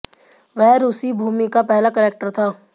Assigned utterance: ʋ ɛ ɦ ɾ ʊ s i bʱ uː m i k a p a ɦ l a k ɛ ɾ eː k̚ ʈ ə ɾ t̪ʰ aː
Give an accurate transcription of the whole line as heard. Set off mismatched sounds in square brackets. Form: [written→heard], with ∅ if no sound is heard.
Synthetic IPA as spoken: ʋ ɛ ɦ ɾ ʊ s i bʱ uː m i k a p [a→ɛ] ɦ l a k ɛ ɾ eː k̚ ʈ ə ɾ t̪ʰ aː